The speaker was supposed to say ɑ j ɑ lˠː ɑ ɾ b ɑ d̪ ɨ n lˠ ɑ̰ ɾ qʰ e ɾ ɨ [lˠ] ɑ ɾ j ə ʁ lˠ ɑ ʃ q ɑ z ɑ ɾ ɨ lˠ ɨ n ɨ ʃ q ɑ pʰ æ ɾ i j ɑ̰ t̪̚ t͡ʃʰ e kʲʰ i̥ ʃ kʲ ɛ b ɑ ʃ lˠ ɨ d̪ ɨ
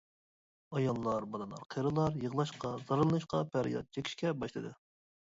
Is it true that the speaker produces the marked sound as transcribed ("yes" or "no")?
yes